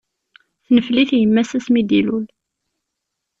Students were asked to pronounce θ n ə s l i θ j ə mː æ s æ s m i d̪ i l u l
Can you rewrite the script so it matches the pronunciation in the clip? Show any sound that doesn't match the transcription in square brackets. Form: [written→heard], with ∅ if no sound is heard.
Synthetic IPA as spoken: θ n ə [s→f] l i θ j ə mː æ s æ s m i d̪ i l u l